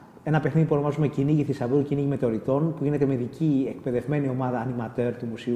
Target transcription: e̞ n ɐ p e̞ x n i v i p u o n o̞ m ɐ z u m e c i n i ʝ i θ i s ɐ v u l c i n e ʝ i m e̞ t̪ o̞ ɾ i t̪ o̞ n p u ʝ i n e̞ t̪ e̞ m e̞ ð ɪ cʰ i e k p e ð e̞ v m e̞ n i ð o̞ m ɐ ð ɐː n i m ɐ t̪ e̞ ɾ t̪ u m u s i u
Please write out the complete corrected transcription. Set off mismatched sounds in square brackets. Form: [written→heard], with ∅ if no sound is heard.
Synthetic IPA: e̞ n ɐ p e̞ x n i [v→ð] i p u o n o̞ m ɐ z u m e c i n i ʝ i θ i s ɐ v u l c i n [e→i] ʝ i m e̞ t̪ o̞ ɾ i t̪ o̞ n p u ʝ i n e̞ t̪ e̞ m e̞ ð [ɪ→i] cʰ i e k p e ð e̞ v m e̞ n i [ð→∅] o̞ m ɐ ð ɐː n i m ɐ t̪ e̞ ɾ t̪ u m u s i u